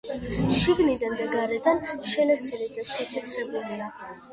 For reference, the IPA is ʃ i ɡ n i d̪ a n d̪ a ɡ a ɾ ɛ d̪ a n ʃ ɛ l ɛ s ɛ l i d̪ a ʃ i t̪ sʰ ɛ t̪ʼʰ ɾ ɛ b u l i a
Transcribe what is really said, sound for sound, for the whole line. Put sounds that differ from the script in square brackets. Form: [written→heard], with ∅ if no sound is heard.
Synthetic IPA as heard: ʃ i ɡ n i d̪ a n d̪ a ɡ a ɾ ɛ d̪ a n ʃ ɛ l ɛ s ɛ l i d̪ a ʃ [i→ɛ] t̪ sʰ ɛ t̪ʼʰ ɾ ɛ b u l i a